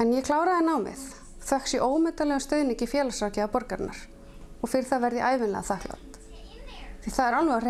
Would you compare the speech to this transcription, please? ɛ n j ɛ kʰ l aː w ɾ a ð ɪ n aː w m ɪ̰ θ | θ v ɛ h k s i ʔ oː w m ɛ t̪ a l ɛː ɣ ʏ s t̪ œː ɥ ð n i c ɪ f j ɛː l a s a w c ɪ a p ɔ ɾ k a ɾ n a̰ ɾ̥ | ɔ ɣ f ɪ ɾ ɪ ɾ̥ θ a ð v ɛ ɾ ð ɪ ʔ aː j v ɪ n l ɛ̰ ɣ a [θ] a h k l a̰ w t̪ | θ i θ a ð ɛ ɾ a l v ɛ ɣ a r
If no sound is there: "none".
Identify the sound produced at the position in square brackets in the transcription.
θ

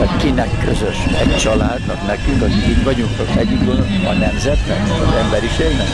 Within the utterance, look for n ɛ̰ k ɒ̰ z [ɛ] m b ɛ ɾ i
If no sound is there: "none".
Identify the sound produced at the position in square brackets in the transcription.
ɛ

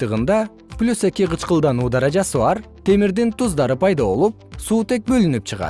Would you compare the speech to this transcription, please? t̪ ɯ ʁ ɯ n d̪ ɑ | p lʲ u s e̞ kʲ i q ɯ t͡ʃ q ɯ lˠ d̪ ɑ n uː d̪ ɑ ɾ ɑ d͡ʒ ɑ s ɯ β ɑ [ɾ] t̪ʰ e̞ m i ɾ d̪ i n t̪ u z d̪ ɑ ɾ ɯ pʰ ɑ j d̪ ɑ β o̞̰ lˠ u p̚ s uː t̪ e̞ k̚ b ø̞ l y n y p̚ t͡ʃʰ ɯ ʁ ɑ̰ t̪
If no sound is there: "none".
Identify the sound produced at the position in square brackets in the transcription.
ɾ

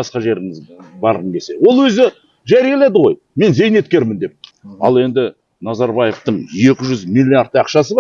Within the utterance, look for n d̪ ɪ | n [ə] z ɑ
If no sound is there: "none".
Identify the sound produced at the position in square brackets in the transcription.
ɑ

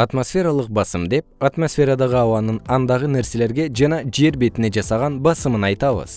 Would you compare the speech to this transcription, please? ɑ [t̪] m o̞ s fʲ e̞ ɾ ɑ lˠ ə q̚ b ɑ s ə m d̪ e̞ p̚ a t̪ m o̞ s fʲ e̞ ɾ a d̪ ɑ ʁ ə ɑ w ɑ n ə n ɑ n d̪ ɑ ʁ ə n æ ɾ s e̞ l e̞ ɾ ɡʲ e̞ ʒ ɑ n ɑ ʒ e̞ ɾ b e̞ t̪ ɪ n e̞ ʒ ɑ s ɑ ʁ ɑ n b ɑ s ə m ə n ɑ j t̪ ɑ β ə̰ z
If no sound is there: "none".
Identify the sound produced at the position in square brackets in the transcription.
t̪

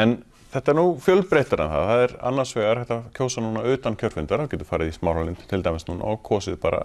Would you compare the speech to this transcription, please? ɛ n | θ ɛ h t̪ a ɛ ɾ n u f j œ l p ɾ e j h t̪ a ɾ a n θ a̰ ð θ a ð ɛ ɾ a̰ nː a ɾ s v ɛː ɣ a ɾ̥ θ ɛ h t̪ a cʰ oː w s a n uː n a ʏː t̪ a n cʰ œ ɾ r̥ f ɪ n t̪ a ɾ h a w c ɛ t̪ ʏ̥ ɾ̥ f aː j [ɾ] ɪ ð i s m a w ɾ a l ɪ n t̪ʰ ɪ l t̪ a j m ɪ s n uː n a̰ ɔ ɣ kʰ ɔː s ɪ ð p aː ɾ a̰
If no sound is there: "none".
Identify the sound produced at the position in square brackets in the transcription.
ɾ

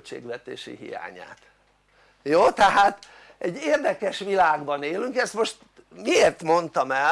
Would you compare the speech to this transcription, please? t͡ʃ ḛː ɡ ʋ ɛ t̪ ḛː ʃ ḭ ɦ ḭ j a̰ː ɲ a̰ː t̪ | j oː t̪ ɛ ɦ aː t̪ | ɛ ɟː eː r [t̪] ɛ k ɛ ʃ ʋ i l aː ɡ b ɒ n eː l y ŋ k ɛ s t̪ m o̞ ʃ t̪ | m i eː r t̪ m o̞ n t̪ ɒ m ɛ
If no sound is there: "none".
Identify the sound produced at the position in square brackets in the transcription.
d̪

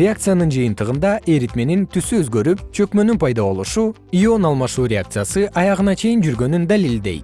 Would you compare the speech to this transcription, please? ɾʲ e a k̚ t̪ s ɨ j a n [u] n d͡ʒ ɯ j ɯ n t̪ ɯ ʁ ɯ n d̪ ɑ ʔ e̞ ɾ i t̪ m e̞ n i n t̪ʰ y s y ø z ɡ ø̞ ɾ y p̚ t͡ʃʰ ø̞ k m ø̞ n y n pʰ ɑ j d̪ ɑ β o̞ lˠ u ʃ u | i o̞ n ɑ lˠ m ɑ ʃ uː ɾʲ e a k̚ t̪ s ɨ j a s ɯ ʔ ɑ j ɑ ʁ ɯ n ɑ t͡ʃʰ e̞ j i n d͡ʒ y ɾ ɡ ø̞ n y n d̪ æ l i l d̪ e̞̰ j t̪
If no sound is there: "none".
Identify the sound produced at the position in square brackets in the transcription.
ɯ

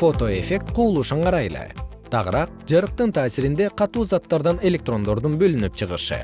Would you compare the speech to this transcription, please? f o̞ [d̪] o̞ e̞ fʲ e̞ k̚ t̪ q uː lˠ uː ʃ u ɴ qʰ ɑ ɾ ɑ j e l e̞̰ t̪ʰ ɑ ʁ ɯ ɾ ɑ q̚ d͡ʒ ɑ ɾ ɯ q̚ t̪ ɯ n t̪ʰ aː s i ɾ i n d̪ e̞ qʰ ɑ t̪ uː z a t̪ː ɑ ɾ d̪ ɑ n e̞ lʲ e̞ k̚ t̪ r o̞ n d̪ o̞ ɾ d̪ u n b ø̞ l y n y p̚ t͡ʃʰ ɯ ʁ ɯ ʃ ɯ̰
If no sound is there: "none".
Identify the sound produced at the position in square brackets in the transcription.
t̪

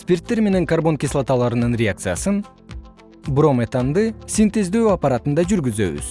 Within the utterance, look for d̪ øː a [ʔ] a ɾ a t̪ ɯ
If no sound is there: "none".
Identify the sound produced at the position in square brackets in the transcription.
p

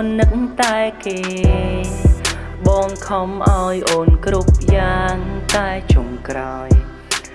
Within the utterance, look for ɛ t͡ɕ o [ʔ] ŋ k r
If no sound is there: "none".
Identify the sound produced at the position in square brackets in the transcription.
none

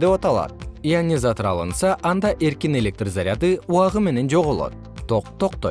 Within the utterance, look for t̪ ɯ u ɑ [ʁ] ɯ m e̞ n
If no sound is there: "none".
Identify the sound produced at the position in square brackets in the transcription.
ʁ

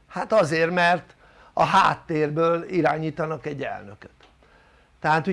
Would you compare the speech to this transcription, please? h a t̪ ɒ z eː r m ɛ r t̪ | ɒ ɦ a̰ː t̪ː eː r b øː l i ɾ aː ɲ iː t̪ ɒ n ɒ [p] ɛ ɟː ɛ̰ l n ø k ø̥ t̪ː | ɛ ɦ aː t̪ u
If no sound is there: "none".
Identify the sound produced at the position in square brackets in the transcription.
k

